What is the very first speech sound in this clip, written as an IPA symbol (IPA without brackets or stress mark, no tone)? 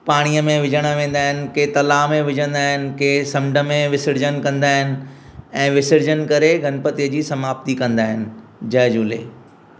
p